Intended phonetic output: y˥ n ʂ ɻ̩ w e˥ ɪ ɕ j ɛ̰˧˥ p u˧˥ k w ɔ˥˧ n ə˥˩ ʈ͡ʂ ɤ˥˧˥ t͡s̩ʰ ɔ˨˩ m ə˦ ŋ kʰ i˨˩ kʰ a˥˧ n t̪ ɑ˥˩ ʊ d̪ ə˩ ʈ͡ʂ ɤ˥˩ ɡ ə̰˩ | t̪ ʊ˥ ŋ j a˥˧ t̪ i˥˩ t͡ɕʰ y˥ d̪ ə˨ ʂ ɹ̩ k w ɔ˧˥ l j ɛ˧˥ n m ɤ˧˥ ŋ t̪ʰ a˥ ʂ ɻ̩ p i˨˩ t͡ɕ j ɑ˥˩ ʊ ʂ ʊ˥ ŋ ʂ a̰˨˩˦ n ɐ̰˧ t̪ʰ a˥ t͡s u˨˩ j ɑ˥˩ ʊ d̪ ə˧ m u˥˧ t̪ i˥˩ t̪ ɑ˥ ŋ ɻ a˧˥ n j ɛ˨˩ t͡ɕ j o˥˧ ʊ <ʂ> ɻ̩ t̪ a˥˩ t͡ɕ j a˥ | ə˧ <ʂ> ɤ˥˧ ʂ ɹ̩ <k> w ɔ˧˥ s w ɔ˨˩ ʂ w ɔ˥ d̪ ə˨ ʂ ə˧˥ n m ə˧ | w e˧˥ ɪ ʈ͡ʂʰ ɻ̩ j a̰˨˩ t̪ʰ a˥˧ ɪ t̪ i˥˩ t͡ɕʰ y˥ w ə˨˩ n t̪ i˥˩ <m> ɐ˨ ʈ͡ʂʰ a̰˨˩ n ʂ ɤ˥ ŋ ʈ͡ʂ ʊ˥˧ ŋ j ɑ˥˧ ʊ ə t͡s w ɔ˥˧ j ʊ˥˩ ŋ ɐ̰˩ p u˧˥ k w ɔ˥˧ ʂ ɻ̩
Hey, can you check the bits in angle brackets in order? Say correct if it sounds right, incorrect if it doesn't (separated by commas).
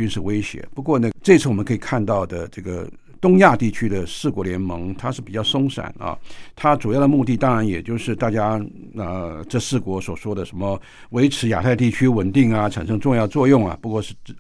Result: correct, incorrect, correct, incorrect